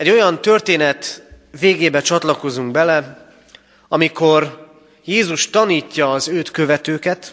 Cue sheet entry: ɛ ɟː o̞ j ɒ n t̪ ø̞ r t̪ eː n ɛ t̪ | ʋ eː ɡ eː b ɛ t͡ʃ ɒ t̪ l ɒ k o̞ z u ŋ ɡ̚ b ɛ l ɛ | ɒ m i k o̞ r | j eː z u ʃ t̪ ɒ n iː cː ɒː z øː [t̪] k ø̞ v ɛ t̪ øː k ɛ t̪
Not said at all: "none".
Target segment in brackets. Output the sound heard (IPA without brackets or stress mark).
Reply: t̪